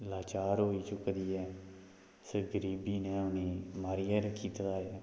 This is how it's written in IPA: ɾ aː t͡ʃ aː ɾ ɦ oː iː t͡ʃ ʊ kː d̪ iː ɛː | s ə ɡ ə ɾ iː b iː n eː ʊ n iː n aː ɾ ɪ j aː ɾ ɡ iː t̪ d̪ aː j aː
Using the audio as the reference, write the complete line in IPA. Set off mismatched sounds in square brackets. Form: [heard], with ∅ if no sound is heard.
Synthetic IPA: [l] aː t͡ʃ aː ɾ ɦ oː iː t͡ʃ ʊ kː d̪ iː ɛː | s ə ɡ ə ɾ iː b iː n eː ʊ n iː [m] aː ɾ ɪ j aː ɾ [k] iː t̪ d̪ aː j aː